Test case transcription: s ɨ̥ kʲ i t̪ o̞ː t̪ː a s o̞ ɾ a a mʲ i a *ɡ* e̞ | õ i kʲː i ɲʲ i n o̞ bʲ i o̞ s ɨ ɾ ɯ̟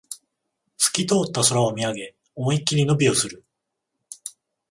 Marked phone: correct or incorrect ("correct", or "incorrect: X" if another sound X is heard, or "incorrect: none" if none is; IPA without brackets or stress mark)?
correct